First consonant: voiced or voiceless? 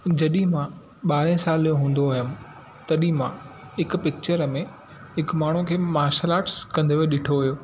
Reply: voiced